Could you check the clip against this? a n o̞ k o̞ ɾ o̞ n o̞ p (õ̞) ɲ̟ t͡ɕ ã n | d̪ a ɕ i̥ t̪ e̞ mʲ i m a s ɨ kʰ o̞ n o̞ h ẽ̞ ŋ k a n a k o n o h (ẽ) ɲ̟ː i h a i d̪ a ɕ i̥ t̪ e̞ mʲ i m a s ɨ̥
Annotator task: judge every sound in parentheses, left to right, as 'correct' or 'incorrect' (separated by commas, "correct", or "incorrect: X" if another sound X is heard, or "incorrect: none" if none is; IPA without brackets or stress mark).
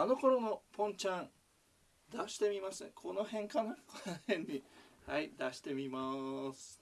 correct, correct